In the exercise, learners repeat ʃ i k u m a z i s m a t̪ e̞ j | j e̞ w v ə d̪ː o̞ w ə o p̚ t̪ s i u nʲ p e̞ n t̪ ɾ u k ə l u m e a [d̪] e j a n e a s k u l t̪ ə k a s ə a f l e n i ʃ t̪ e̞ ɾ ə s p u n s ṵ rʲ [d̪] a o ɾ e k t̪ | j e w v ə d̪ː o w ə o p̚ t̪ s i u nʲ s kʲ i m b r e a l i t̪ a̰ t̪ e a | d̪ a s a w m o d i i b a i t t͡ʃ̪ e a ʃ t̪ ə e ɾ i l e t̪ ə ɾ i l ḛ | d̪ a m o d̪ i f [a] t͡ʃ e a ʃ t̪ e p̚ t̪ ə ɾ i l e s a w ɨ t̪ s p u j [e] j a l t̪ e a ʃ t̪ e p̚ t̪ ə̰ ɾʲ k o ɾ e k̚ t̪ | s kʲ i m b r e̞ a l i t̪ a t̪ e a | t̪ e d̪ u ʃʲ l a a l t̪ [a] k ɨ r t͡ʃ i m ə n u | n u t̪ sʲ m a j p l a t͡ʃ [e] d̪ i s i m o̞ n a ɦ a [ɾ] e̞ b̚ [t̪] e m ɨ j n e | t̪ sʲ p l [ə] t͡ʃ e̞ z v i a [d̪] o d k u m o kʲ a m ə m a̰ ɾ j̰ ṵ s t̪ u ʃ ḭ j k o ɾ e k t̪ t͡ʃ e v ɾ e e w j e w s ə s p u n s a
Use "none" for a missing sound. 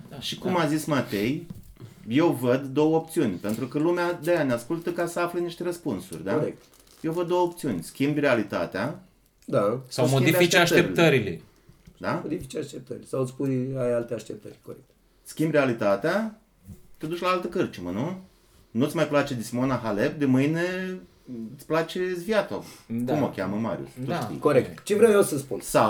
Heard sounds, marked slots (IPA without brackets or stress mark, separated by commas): d̪, d̪, i, a, ə, e, l, d̪, a, t̪